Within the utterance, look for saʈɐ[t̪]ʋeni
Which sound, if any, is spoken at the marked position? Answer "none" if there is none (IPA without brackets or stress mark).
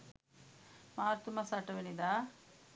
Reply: none